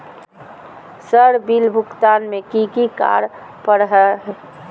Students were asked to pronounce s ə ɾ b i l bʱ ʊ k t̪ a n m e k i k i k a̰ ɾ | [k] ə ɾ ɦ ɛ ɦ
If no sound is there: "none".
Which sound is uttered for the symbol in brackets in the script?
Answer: p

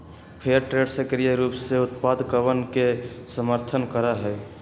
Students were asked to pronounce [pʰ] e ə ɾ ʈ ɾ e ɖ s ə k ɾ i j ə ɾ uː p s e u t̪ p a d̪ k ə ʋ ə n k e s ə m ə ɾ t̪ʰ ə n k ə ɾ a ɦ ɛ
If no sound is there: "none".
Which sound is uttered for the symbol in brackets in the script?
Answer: pʰ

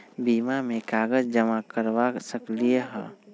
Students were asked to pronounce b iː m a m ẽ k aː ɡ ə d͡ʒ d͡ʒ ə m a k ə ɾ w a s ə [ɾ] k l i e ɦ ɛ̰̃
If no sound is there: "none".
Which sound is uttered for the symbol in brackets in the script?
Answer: none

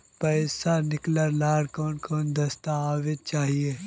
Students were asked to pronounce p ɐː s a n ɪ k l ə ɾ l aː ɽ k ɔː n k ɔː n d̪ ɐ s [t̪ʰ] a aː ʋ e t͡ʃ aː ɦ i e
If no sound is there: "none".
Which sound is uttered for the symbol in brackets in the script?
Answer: t̪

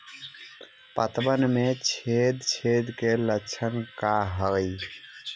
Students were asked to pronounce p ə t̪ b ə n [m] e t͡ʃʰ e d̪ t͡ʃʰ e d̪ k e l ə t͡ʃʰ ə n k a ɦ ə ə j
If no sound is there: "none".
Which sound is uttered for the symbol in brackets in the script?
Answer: m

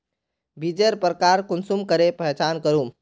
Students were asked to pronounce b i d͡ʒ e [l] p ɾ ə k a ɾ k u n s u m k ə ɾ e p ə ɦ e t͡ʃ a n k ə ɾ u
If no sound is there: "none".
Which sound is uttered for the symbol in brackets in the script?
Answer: ɾ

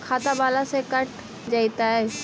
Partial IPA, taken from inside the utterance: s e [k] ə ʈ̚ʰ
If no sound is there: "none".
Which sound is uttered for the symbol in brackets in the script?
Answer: k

